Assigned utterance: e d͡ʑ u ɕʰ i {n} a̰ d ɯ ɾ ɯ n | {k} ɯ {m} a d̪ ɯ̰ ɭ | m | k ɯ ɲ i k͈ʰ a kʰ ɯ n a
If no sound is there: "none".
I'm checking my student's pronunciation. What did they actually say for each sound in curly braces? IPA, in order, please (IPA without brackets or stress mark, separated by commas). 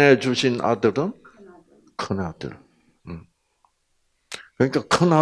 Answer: n, kʰ, n